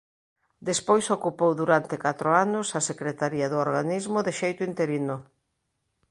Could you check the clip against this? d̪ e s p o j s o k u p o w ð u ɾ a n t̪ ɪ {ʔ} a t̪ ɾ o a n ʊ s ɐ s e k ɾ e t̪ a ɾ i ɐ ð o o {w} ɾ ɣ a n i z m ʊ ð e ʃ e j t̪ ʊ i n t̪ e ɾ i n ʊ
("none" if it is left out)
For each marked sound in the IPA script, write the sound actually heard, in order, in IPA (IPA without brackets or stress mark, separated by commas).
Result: k, none